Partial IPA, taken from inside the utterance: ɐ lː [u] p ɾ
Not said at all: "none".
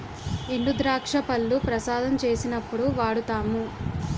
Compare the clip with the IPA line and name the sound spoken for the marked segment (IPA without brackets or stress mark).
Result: u